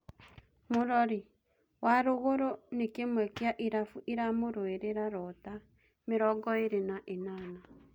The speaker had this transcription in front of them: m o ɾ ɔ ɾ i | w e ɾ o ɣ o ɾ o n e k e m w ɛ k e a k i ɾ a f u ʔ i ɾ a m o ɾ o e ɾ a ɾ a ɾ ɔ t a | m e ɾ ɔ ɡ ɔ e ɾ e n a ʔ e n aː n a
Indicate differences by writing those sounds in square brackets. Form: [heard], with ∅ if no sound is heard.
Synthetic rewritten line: m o ɾ ɔ ɾ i | w [a] ɾ o ɣ o ɾ o n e k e m w ɛ k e a [ʔ] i ɾ a f u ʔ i ɾ a m o ɾ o e ɾ [e] ɾ a ɾ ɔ t a | m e ɾ ɔ ɡ ɔ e ɾ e n a ʔ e n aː n a